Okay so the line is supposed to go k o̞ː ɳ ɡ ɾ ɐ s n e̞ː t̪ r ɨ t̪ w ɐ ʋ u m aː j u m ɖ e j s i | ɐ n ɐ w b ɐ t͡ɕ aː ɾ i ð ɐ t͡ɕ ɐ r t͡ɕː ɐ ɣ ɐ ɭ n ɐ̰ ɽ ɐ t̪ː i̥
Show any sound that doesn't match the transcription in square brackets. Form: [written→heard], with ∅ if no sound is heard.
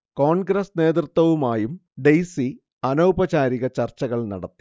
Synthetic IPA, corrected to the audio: k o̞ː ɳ ɡ ɾ ɐ s n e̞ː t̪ r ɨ t̪ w ɐ ʋ u m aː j u m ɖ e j s i | ɐ n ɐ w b ɐ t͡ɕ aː ɾ i [ð→ɣ] ɐ t͡ɕ ɐ r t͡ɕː ɐ ɣ ɐ ɭ n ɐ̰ ɽ ɐ t̪ː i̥

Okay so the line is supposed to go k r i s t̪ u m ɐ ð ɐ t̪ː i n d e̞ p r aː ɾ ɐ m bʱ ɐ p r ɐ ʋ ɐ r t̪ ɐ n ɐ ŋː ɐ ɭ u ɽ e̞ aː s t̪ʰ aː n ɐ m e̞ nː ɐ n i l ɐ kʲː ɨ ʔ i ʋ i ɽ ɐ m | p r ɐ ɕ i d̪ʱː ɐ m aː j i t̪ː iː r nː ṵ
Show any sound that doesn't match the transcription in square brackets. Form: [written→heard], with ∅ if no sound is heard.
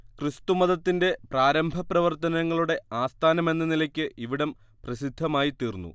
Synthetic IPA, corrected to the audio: k r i s t̪ u m ɐ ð ɐ t̪ː i n d e̞ p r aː ɾ ɐ m bʱ ɐ p r ɐ ʋ ɐ r t̪ ɐ n ɐ ŋː ɐ ɭ u ɽ e̞ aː s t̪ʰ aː n ɐ m e̞ nː ɐ n i l ɐ kʲː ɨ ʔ i ʋ i ɽ ɐ m | p r ɐ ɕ i d̪ʱː ɐ m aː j i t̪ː iː r nː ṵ

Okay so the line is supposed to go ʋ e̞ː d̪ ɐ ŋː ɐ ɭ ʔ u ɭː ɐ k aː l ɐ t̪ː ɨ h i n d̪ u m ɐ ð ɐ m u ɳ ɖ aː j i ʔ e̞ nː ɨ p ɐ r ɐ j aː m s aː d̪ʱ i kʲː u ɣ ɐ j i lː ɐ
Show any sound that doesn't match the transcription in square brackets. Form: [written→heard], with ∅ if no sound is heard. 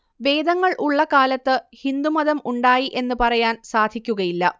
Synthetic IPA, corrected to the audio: ʋ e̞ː d̪ ɐ ŋː ɐ ɭ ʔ u ɭː ɐ k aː l ɐ t̪ː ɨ h i n d̪ u m ɐ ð ɐ m u ɳ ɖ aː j i ʔ e̞ nː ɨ p ɐ r ɐ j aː [m→n] s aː d̪ʱ i kʲː u ɣ ɐ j i lː ɐ

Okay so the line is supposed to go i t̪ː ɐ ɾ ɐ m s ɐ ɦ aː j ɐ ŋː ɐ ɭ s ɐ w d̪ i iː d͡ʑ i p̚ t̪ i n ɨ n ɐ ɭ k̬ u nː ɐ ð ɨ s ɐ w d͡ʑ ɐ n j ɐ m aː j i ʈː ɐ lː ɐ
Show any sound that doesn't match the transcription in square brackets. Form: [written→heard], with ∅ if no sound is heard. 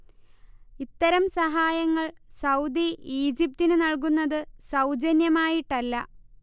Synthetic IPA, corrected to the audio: i t̪ː ɐ ɾ ɐ m s ɐ ɦ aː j ɐ ŋː ɐ ɭ s ɐ w d̪ i iː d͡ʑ i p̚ t̪ i n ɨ n ɐ ɭ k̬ u nː ɐ ð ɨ s ɐ w d͡ʑ ɐ n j ɐ m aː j i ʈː ɐ lː ɐ

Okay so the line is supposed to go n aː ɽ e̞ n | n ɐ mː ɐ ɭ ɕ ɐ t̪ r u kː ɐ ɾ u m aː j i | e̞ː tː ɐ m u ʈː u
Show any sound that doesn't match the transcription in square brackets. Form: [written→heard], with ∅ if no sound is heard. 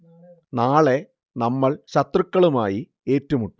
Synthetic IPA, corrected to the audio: n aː [ɽ→ɭ] e̞ [n→∅] | n ɐ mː ɐ ɭ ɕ ɐ t̪ r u kː ɐ [ɾ→ɭ] u m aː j i | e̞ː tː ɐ m u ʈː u

